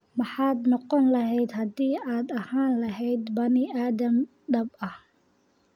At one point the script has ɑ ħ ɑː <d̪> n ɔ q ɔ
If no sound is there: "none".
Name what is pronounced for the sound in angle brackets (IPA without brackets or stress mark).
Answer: d̪